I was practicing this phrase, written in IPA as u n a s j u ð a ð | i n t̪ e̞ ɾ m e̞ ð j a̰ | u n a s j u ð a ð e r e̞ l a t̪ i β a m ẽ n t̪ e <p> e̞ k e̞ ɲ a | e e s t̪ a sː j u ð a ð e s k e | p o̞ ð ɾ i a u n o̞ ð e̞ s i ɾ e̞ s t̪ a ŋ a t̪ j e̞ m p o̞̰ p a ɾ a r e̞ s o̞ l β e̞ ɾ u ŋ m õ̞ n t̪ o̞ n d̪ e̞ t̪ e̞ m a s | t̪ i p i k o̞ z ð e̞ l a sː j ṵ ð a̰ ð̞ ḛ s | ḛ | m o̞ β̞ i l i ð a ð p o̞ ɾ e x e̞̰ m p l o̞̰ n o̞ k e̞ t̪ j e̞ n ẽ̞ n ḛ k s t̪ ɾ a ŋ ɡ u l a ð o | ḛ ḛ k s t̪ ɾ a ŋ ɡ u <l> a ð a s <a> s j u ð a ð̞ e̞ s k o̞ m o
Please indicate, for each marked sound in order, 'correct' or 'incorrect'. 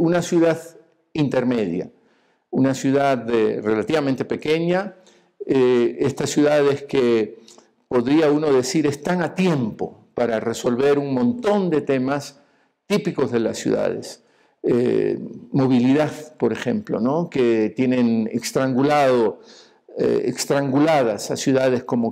correct, correct, correct

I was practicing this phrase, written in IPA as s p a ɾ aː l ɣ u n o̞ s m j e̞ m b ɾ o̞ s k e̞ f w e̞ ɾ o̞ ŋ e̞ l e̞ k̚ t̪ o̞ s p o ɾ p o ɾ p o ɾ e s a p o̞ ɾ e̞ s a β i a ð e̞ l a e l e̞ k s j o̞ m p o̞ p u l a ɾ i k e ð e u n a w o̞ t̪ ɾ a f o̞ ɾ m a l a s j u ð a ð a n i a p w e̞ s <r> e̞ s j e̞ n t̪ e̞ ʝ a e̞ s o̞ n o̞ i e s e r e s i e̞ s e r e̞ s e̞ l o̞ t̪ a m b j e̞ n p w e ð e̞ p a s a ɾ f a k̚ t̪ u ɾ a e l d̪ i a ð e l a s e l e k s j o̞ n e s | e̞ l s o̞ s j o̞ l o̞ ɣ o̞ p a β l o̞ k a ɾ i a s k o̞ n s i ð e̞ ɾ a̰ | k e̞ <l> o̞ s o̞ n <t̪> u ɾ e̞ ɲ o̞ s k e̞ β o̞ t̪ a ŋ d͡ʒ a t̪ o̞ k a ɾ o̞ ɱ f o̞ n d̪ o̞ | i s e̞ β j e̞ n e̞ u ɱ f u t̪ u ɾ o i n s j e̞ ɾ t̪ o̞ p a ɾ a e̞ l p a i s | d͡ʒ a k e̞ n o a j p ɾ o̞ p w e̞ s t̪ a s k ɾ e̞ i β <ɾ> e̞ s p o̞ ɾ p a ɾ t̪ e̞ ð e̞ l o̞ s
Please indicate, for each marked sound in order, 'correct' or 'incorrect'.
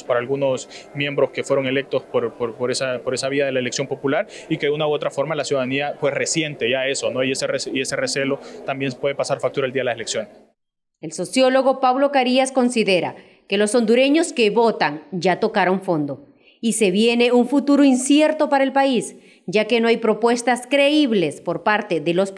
correct, correct, incorrect, incorrect

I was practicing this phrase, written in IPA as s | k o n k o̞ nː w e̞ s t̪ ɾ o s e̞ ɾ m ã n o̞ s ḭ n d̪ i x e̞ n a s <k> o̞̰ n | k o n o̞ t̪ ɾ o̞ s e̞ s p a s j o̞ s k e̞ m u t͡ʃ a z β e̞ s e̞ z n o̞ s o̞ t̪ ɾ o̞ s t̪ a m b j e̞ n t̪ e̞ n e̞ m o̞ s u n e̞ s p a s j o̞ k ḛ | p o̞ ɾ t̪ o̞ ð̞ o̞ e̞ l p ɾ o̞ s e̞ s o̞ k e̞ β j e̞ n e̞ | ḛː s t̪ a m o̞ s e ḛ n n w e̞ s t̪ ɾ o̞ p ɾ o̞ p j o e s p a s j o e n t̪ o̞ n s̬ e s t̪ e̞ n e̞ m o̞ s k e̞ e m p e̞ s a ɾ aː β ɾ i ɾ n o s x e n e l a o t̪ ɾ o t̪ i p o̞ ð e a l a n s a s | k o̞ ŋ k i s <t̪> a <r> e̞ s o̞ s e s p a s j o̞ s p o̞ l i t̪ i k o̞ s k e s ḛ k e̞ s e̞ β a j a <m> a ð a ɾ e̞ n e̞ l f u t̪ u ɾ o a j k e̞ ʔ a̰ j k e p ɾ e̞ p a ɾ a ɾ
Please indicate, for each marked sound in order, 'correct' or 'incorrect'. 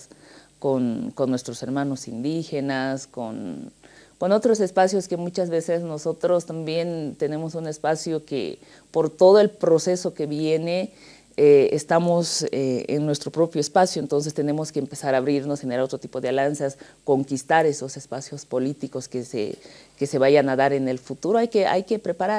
correct, correct, incorrect, incorrect

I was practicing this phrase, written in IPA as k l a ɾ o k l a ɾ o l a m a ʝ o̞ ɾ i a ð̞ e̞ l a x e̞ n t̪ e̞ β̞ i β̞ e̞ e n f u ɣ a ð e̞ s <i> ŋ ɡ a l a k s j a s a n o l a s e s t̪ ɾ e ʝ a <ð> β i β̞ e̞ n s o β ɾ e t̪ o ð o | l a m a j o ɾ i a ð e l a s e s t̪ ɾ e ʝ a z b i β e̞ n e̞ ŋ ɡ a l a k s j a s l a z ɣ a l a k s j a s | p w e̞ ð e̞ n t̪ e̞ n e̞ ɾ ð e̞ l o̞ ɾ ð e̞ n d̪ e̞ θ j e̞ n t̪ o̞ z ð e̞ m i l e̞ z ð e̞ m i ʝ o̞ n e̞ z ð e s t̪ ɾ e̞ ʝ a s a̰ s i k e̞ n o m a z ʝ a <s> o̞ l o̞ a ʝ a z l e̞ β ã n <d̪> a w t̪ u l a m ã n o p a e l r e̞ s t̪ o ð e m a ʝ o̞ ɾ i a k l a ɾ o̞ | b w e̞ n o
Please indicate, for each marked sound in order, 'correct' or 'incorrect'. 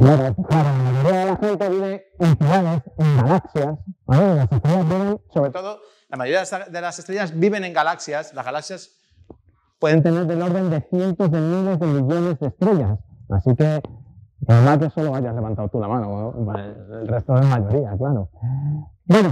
incorrect, incorrect, correct, incorrect

